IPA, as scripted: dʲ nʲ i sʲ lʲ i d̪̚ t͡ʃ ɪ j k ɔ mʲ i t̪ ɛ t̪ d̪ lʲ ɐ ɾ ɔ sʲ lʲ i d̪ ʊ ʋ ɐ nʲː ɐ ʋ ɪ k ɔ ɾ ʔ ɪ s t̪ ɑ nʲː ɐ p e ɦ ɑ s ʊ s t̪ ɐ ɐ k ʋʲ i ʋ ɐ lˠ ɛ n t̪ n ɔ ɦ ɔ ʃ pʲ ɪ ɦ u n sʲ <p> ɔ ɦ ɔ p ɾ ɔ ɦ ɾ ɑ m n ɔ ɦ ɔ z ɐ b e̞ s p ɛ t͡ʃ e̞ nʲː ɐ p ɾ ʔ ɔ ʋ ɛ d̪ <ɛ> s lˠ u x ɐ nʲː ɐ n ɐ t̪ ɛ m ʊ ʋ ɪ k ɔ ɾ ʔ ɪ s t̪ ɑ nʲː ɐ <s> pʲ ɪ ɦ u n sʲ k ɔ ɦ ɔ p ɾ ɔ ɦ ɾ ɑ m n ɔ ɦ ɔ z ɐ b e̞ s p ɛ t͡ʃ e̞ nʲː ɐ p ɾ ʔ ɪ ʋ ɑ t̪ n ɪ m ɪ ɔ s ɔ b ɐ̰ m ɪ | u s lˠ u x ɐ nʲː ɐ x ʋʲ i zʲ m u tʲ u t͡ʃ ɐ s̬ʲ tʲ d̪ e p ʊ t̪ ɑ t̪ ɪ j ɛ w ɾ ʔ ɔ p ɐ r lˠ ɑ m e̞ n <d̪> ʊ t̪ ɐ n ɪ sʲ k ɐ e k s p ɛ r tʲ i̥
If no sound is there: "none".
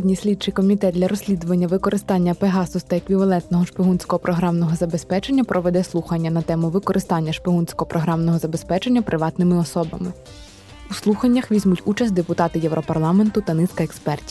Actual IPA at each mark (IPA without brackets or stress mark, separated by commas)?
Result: k, ɛ, ʃ, t̪